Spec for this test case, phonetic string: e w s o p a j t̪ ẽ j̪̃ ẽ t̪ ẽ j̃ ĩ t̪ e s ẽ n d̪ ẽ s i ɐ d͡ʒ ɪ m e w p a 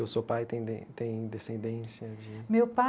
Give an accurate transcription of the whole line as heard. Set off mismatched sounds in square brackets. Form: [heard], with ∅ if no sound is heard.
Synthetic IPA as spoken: e w s o p a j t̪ ẽ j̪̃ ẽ t̪ ẽ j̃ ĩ [d̪] e s ẽ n d̪ ẽ s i ɐ d͡ʒ ɪ m e w p a